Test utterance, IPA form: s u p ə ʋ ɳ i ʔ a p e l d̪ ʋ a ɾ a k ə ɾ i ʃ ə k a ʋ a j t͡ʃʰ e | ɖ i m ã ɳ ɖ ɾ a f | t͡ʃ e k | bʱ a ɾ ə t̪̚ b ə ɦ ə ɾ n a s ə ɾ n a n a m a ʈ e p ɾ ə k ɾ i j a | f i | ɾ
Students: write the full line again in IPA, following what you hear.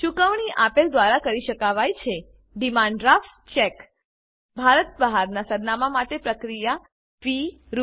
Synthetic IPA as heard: ʃ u k ə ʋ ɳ i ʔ a p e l d̪ ʋ a ɾ a k ə ɾ i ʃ ə k a ʋ a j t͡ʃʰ e | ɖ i m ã ɳ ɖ ɾ a f | t͡ʃ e k | bʱ a ɾ ə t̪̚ b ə ɦ a ɾ n a s ə ɾ n a m a m a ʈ e p ɾ ə k ɾ i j a | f i | ɾ